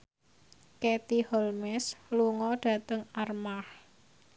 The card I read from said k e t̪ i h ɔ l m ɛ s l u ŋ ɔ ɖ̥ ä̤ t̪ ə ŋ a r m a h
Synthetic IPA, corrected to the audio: k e t̪ i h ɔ l m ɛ s l u ŋ ɔ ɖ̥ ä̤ t̪ ə ŋ a r m a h

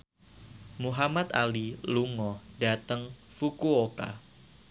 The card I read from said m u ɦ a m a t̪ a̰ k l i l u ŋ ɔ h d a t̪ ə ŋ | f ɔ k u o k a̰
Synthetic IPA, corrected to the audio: m u ɦ a m a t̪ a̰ l i l u ŋ ɔ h d a t̪ ə ŋ | f u k u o k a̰

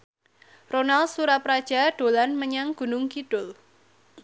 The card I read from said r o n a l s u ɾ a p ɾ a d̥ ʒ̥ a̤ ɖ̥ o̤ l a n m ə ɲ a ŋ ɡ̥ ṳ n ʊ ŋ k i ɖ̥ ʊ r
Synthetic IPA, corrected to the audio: r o n a l s u ɾ a p ɾ a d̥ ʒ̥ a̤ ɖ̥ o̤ l a n m ə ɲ a ŋ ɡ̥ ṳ n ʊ ŋ k i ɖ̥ ʊ l

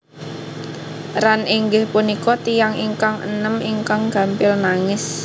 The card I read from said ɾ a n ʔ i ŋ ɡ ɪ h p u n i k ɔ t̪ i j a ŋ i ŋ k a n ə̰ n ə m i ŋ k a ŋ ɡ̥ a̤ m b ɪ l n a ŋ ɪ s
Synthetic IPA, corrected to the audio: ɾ a n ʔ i ŋ ɡ ɪ h p u n i k ɔ t̪ i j a ŋ i ŋ k a ŋ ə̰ n ə m i ŋ k a ŋ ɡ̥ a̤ m p ɪ l n a ŋ ɪ s

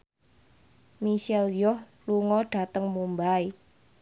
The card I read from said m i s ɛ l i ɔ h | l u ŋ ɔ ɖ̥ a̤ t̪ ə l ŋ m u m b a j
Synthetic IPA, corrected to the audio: m i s ɛ l j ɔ h | l u ŋ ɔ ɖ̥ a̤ t̪ ə ŋ m u m b a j

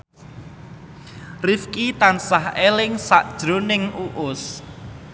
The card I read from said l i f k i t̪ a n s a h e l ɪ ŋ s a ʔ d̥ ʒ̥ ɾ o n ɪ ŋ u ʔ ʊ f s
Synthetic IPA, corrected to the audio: r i f k i t̪ a n s a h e l ɪ ŋ s a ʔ d̥ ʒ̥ ɾ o n ɪ ŋ u ʔ ʊ s

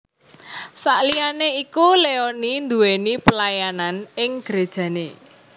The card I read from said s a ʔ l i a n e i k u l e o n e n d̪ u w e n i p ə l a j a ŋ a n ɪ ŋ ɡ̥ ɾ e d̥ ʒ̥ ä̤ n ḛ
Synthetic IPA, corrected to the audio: s a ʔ l i a n e i k u l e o n i n d̪ u w e n i p ə l a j a n a n ɪ ŋ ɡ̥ ɾ e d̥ ʒ̥ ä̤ n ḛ

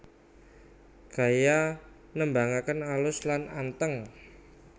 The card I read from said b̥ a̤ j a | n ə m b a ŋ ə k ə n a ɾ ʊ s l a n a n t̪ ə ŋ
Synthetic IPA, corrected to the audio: ɡ̥ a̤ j a | n ə m b a ŋ a k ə n a l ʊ s l a n a n t̪ ə ŋ

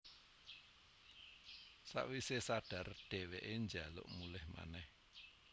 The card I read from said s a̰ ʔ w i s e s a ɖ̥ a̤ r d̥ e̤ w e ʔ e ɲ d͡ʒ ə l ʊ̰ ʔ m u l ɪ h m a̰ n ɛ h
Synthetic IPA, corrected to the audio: s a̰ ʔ w i s e s a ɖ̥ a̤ r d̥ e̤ w e ʔ e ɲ d͡ʒ a l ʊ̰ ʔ m u l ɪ h m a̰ n ɛ h

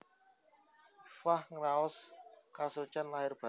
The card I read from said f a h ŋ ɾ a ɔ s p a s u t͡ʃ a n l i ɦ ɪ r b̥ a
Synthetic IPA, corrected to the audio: f a h ŋ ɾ a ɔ s k a s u t͡ʃ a n l a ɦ ɪ r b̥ a

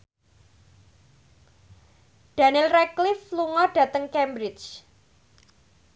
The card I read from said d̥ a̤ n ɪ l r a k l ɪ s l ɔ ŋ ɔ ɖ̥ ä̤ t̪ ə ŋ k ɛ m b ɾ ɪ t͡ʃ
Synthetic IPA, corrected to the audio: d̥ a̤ n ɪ l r ɛ k l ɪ f l u ŋ ɔ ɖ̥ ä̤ t̪ ə ŋ k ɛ m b ɾ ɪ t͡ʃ

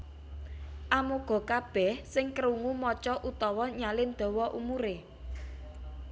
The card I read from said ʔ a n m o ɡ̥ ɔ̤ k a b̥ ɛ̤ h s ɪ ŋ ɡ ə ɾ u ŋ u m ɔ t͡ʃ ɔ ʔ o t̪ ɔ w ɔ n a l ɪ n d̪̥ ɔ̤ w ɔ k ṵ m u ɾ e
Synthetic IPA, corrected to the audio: ʔ a m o ɡ̥ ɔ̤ k a b̥ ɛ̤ h s ɪ ŋ k ə ɾ u ŋ u m ɔ t͡ʃ ɔ ʔ u t̪ ɔ w ɔ ɲ a l ɪ n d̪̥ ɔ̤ w ɔ ʔ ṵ m u ɾ e

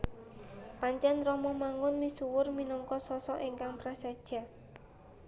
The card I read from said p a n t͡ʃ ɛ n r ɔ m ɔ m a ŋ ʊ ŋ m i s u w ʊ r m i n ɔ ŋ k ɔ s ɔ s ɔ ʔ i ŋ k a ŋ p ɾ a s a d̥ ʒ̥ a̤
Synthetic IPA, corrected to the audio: p a ɲ t͡ʃ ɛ n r ɔ m ɔ m a ŋ ʊ n m i s u w ʊ r m i n ɔ ŋ k ɔ s ɔ s ɔ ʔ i ŋ k a ŋ p ɾ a s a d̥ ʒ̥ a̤

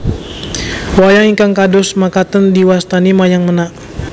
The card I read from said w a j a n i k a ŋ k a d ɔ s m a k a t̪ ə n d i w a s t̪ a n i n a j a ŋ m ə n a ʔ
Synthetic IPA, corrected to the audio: w a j a ŋ i k a ŋ k a d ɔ s m a k a t̪ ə n d i w a s t̪ a n i m a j a ŋ m ə n a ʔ

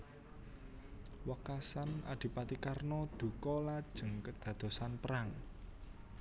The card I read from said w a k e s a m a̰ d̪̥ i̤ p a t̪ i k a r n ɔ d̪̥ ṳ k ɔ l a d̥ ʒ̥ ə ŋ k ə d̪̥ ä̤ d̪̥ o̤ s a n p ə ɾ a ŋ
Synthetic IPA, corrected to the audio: w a k a s a n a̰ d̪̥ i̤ p a t̪ i k a r n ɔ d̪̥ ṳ k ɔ l a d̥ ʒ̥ ə ŋ k ə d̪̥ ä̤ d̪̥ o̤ s a n p ə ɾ a ŋ

